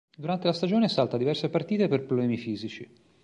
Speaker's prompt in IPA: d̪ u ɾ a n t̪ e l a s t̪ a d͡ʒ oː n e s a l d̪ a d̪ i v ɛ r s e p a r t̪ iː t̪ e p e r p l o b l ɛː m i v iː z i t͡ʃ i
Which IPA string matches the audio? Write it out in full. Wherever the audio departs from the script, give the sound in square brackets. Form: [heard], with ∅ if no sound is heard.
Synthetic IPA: d̪ u ɾ a n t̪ e l a s t̪ a d͡ʒ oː n e s a l [t̪] a d̪ i v ɛ r s e p a r t̪ iː t̪ e p e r p [ɾ] o b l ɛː m i [f] iː z i t͡ʃ i